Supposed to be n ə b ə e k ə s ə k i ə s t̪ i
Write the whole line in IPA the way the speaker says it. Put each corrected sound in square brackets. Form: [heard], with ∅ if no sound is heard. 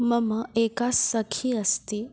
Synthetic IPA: [m] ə [m] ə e k [a] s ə [kʰ] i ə s t̪ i